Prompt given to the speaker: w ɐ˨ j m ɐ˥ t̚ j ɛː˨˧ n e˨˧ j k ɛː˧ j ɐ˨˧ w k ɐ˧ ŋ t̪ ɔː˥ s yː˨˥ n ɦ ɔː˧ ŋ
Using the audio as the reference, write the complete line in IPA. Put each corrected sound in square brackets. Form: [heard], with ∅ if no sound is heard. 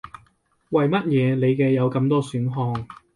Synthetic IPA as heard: w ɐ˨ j m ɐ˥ t̚ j ɛː˨˧ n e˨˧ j k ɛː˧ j ɐ˨˧ w k ɐ˧ [m] t̪ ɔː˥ s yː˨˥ n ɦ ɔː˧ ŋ